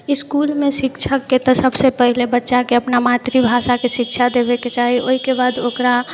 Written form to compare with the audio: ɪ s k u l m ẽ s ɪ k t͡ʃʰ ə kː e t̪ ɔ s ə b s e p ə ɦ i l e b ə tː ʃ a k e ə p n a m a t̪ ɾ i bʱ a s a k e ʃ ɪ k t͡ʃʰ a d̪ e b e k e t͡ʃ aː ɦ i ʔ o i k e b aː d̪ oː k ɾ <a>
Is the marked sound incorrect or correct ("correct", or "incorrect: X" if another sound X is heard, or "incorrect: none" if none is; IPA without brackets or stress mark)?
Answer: correct